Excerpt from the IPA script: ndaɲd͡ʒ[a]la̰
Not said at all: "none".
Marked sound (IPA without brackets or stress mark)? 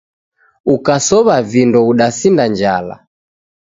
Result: a